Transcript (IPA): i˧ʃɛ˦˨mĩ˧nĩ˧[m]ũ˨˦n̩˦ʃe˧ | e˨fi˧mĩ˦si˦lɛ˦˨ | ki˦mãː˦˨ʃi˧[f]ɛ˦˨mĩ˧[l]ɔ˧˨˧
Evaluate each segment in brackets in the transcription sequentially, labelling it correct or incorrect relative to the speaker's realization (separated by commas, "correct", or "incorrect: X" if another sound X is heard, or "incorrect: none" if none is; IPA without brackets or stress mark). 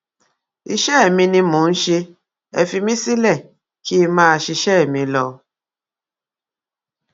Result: correct, incorrect: ʃ, correct